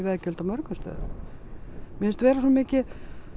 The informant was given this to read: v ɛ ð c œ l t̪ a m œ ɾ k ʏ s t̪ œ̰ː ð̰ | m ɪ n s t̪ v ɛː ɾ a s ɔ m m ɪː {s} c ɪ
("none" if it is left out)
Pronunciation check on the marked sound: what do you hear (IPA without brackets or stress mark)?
none